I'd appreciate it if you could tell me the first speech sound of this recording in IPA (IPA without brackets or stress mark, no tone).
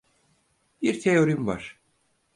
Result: b